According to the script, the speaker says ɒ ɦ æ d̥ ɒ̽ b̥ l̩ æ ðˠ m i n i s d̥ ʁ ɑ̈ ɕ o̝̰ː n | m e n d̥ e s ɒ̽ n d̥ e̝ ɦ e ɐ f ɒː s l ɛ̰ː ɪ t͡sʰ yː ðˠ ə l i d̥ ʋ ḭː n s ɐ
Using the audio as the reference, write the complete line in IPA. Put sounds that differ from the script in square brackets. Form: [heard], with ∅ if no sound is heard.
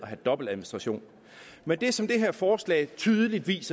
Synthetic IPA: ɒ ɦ æ d̥ ɒ̽ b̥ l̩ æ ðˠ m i n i s d̥ ʁ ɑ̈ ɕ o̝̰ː n | m e n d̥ e s ɒ̽ [m] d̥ e̝ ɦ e ɐ f ɒː s l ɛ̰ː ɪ t͡sʰ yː ðˠ ə l i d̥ ʋ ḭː [∅] s ɐ